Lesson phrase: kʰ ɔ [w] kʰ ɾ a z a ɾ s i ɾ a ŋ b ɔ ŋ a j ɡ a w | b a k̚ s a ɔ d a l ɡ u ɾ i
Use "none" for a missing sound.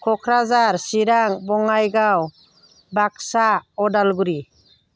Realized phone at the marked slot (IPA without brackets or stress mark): none